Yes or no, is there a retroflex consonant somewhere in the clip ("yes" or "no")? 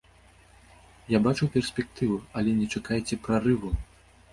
yes